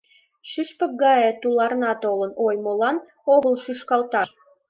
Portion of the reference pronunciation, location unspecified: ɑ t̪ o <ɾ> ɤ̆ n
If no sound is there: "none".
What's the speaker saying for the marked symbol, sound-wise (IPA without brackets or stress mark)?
l